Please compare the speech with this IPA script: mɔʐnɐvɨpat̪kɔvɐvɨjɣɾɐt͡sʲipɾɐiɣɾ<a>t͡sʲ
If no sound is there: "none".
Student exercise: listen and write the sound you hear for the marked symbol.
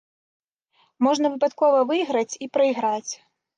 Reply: a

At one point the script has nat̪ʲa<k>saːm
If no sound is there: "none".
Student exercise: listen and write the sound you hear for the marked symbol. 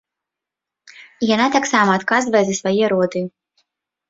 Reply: k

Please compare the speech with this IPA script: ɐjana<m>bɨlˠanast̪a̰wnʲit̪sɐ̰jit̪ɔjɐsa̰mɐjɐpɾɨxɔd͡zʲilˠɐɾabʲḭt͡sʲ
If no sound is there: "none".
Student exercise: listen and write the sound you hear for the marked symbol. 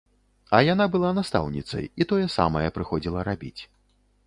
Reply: none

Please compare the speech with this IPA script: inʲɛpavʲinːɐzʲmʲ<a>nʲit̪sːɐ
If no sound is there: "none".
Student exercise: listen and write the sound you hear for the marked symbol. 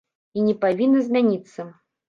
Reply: a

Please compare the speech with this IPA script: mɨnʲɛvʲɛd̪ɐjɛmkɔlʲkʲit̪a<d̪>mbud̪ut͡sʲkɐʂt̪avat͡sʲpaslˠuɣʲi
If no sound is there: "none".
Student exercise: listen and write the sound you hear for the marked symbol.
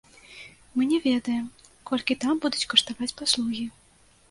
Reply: none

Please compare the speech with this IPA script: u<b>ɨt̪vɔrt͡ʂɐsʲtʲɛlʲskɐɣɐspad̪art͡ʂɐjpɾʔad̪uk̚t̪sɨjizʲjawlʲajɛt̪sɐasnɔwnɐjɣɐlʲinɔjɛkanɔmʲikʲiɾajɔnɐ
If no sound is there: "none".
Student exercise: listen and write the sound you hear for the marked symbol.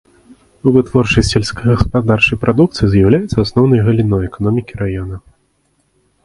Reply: v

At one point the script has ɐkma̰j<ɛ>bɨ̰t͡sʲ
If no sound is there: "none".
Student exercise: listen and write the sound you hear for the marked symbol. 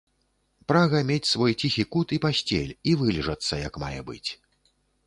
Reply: ɛ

